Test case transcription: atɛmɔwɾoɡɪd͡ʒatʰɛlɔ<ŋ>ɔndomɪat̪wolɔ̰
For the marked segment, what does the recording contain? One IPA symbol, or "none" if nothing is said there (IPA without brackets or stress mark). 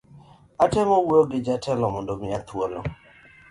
m